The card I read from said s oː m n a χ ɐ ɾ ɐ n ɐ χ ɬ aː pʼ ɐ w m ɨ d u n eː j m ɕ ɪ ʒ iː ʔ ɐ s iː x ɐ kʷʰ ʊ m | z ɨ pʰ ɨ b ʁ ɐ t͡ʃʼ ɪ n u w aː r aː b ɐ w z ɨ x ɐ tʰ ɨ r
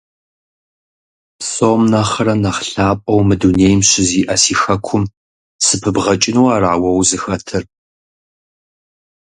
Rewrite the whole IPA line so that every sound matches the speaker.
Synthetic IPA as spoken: s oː m n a χ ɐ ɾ ɐ n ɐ χ ɬ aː pʼ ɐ w m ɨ d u n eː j m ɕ ɪ z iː ʔ ɐ s iː x ɐ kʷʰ ʊ m | s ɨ pʰ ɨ b ʁ ɐ t͡ʃʼ ɪ n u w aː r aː w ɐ w z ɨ x ɐ tʰ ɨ r